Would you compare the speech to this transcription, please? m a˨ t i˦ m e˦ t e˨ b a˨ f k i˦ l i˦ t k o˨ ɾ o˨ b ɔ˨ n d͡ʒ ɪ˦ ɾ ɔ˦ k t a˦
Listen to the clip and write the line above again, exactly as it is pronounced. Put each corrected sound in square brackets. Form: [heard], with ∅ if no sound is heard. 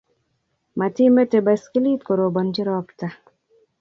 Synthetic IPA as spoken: m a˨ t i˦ m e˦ t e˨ b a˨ [s] k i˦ l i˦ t k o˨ ɾ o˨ b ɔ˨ n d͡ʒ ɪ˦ ɾ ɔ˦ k t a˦